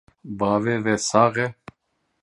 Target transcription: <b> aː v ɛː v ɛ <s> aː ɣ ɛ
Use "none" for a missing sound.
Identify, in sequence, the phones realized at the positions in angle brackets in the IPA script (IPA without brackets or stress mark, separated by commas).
b, s